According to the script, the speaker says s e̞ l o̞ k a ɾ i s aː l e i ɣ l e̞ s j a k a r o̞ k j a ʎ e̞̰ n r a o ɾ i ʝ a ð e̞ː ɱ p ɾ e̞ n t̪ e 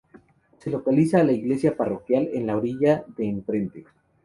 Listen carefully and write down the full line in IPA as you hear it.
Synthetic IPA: s e̞ l o̞ k a l i s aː l a i ɣ l e̞ s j a p a r o̞ k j a l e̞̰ n l a o ɾ i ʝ a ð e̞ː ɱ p ɾ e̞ n t̪ e